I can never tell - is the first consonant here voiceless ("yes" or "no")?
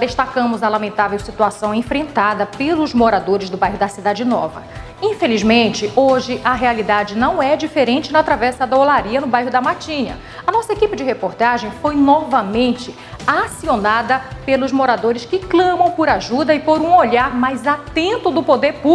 no